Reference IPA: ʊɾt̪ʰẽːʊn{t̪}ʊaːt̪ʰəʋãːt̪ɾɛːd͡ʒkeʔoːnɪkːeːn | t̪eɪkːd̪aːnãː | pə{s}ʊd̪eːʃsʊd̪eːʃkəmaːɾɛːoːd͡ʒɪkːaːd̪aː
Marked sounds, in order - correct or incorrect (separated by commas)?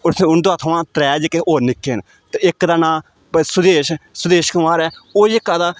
incorrect, correct